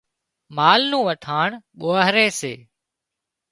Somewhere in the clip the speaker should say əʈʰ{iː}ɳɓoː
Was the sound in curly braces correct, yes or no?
no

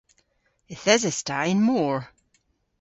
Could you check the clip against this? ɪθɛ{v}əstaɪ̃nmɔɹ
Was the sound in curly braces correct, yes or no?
no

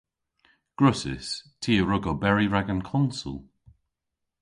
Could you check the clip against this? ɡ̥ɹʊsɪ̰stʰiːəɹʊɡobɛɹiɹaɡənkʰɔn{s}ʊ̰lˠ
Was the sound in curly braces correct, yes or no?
yes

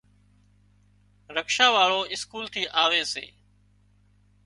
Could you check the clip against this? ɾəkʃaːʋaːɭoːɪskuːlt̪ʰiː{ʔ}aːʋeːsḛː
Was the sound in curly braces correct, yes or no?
yes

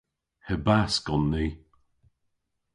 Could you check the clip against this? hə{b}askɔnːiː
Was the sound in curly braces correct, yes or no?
yes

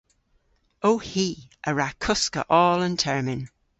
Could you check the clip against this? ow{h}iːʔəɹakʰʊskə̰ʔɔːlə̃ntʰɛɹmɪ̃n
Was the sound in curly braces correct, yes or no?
yes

